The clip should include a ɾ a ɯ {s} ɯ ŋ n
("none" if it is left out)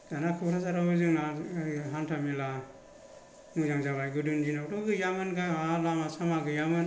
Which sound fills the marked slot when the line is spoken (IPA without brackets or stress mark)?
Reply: z